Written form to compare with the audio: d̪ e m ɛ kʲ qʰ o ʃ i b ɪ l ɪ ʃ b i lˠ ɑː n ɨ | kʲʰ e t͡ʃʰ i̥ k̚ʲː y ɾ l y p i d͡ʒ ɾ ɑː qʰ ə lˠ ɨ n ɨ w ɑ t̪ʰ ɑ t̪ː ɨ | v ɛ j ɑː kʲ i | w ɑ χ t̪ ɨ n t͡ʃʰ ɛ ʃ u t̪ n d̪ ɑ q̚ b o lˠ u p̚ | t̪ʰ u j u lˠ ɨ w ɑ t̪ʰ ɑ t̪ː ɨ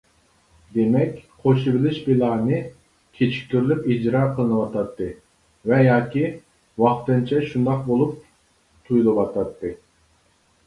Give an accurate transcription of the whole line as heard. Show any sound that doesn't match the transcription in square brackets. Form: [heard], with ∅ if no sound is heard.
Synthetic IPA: d̪ e m ɛ kʲ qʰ o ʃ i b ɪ l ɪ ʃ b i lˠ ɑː n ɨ | kʲʰ e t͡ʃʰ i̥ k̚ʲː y ɾ l y p i d͡ʒ ɾ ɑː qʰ ə lˠ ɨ n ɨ w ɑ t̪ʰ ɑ t̪ː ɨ | v ɛ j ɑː kʲ i | w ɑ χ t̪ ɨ n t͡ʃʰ ɛ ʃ u [∅] n d̪ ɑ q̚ b o lˠ u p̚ | t̪ʰ u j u lˠ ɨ w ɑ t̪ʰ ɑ t̪ː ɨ